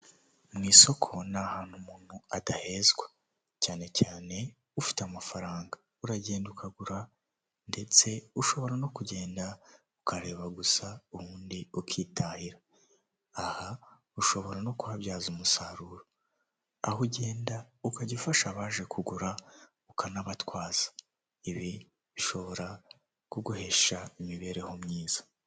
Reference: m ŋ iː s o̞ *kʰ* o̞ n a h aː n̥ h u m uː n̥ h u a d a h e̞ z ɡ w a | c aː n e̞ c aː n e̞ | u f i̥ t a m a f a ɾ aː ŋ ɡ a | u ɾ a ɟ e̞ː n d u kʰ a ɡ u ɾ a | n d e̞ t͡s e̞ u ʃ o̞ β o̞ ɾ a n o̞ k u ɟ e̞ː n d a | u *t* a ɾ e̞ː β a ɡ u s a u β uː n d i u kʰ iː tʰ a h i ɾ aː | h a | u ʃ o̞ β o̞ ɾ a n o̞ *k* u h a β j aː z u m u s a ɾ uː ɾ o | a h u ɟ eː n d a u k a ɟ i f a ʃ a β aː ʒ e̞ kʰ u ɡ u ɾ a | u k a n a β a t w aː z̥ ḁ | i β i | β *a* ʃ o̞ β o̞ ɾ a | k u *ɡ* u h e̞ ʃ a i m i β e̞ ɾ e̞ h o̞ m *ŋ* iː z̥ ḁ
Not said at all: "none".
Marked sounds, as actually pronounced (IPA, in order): kʰ, k, k, i, ɡ, ɲ

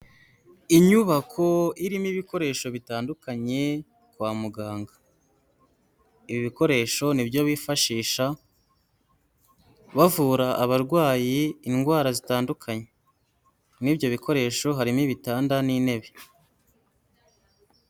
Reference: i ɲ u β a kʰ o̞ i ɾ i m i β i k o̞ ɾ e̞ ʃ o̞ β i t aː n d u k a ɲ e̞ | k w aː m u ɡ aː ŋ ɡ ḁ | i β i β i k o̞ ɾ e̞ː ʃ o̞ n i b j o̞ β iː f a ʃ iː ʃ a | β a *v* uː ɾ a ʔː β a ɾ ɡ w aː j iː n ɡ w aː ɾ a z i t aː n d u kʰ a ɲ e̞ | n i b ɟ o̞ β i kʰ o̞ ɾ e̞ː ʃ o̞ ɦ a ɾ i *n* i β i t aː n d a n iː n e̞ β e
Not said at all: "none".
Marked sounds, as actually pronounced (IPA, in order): v, m

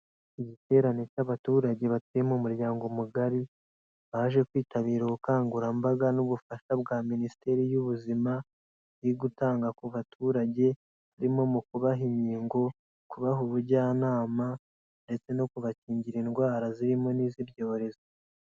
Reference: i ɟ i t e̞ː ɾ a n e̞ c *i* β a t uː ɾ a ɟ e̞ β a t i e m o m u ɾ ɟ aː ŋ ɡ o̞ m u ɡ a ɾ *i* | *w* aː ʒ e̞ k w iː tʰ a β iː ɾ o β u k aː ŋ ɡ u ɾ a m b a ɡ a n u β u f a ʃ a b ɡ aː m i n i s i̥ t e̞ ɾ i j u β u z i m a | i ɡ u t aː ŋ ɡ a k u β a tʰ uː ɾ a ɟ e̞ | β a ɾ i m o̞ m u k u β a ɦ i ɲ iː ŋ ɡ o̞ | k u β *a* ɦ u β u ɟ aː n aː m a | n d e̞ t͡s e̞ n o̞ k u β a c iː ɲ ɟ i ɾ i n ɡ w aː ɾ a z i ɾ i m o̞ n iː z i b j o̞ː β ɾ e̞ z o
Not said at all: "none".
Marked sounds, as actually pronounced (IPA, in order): a, i, β, a

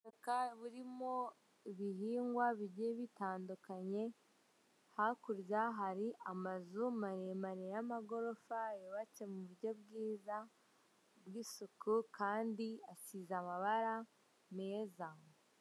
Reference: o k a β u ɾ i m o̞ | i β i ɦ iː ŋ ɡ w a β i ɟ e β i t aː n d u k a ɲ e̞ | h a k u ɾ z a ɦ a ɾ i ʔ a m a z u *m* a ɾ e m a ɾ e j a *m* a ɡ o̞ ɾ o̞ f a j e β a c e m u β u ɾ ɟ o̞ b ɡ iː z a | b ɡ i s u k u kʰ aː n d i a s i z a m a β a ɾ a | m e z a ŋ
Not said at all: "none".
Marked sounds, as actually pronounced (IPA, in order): m, m

